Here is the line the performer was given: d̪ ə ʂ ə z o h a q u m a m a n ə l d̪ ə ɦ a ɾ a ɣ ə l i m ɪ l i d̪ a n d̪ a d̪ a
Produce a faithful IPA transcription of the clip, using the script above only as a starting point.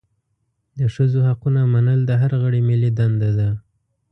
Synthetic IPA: d̪ ə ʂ ə z o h a q u n a m a n ə l d̪ ə ɦ a ɾ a ɣ ə ɽ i m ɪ l i d̪ a n d̪ a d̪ a